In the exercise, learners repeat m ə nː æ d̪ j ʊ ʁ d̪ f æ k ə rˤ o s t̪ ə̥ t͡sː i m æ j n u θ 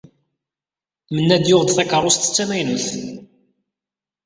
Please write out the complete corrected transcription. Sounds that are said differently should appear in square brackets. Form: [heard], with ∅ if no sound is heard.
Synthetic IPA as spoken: m ə nː æ d̪ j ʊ ʁ d̪ [θ] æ k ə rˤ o s t̪ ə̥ t͡sː [æ] m æ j n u θ